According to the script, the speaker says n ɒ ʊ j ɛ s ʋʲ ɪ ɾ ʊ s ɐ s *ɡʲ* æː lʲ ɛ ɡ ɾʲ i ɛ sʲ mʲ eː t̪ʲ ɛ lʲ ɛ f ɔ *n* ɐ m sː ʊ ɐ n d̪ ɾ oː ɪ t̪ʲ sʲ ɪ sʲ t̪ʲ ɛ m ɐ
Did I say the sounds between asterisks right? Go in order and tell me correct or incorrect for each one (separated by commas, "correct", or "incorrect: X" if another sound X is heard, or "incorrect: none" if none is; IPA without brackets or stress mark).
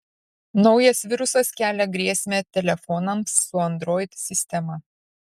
incorrect: kʲ, correct